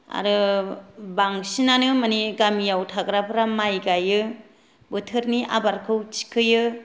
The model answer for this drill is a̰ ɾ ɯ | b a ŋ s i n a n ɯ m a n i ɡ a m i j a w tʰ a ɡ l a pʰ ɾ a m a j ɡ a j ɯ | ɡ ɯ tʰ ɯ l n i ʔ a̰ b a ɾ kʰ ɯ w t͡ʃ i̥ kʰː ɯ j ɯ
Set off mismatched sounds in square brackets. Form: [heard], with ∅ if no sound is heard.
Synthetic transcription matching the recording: a̰ ɾ ɯ | b a ŋ s i n a n ɯ m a n i ɡ a m i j a w tʰ a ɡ [ɾ] a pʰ ɾ a m a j ɡ a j ɯ | [b] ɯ tʰ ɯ [ɾ] n i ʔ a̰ b a ɾ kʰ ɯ w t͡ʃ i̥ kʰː ɯ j ɯ